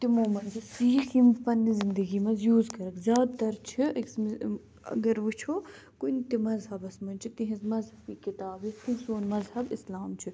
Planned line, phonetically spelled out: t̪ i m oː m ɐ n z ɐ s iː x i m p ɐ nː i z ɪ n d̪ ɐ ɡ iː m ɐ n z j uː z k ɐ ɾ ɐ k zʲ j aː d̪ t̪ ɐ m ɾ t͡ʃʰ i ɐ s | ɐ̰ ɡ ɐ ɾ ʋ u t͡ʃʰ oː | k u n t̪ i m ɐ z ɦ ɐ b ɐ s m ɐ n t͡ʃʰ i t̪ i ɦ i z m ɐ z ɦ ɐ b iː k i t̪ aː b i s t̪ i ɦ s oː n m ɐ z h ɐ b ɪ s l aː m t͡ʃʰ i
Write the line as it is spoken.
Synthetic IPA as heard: t̪ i m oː m ɐ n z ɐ s iː x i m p ɐ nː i z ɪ n d̪ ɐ ɡ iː m ɐ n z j uː z k ɐ ɾ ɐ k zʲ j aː d̪ t̪ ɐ ɾ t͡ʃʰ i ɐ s | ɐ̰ ɡ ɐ ɾ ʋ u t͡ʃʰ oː | k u n t̪ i m ɐ z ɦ ɐ b ɐ s m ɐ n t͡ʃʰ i t̪ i ɦ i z m ɐ z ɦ ɐ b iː k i t̪ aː b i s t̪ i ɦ s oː n m ɐ z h ɐ b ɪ s l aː m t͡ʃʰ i

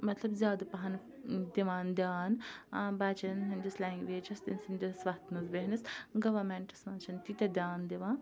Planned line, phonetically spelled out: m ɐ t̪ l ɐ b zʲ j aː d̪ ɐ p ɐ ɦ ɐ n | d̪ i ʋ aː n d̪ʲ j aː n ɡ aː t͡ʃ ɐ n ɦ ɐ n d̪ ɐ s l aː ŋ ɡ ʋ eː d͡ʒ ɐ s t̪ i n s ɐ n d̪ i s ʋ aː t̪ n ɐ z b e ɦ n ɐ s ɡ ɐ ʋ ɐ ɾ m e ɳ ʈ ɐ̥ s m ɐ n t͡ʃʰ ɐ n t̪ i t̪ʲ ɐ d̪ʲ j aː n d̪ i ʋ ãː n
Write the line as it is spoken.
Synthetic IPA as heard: m ɐ t̪ l ɐ b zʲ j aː d̪ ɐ p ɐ ɦ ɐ n | d̪ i ʋ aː n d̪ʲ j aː n b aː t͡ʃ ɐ n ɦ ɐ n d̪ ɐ s l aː ŋ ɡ ʋ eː d͡ʒ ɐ s t̪ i n s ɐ n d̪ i s ʋ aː t̪ n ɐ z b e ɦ n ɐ s ɡ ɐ ʋ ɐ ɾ m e ɳ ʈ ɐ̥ s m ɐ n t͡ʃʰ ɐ n t̪ i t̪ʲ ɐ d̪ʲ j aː n d̪ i ʋ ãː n

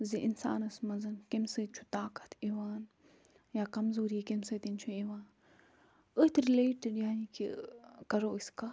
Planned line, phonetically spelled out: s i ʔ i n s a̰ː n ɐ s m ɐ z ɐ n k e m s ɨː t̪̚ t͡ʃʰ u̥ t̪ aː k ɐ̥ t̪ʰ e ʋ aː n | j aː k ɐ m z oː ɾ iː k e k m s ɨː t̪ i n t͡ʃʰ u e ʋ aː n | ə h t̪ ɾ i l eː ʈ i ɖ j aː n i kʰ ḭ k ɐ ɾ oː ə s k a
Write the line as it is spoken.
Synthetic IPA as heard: z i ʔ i n s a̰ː n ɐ s m ɐ z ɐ n k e m s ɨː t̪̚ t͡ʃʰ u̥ t̪ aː k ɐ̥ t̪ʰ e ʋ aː n | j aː k ɐ m z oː ɾ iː k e m s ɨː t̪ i n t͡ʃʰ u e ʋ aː n | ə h t̪ ɾ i l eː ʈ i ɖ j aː n i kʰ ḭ k ɐ ɾ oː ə s k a

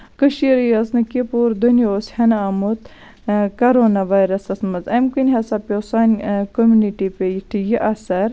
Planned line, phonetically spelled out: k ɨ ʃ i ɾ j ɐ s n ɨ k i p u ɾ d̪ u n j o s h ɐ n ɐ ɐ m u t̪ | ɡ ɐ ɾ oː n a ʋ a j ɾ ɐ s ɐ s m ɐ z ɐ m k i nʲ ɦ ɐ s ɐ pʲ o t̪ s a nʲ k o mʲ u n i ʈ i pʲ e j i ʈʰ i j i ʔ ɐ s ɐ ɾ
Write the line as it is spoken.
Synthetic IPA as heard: k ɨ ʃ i ɾ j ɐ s n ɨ k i p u ɾ d̪ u n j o s h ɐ n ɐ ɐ m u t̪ | k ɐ ɾ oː n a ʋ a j ɾ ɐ s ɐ s m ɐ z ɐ m k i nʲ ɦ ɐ s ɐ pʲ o s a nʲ k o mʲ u n i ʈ i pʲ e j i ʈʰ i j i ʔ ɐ s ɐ ɾ

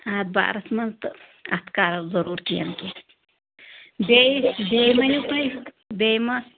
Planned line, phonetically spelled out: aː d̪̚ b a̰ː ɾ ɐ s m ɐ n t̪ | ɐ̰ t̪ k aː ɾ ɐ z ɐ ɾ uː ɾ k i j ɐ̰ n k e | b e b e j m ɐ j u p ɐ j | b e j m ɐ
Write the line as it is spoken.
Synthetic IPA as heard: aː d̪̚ b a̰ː ɾ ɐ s m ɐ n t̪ | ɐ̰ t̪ k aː ɾ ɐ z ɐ ɾ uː ɾ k i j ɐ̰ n k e | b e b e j m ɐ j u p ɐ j | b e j m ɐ

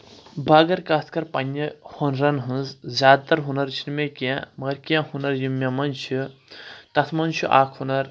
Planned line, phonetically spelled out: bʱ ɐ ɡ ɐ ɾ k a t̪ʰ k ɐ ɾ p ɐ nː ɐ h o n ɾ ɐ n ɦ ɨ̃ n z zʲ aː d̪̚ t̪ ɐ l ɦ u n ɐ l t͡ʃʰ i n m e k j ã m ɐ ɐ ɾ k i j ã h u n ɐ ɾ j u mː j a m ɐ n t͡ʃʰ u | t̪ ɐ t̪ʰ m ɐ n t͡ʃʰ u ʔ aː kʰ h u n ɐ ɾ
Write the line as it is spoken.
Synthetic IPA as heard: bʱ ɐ ɡ ɐ ɾ k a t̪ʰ k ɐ ɾ p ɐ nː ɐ h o n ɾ ɐ n ɦ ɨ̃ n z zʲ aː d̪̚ t̪ ɐ ɾ ɦ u n ɐ ɾ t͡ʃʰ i n m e k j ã m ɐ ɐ ɾ k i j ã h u n ɐ ɾ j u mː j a m ɐ n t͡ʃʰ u | t̪ ɐ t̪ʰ m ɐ n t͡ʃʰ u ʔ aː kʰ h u n ɐ ɾ

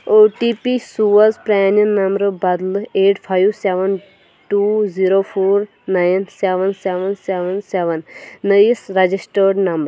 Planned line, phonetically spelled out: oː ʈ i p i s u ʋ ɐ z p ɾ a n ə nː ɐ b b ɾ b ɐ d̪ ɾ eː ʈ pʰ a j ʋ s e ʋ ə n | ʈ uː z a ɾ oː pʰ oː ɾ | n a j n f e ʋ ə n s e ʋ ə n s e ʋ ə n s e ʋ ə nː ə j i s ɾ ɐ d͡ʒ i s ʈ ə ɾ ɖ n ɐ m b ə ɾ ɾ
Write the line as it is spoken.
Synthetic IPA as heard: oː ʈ i p i s u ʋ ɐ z p ɾ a n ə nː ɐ m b ɾ b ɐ d̪ l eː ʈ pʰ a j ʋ s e ʋ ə n | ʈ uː z i ɾ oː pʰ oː ɾ | n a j n s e ʋ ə n s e ʋ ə n s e ʋ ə n s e ʋ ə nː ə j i s ɾ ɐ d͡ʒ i s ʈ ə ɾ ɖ n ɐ m b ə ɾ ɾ

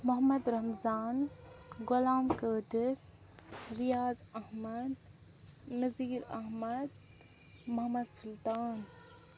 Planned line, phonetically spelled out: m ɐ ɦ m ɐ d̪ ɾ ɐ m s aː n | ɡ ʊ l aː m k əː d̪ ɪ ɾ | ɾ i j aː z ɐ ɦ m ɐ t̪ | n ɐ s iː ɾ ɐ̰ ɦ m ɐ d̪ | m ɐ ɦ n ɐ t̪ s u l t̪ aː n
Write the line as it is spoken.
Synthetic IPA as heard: m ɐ ɦ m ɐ d̪ ɾ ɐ m z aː n | ɡ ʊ l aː m k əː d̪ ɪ ɾ | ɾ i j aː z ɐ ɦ m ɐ d̪ | n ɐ z iː ɾ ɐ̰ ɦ m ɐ d̪ | m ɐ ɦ m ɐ d̪ s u l t̪ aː n

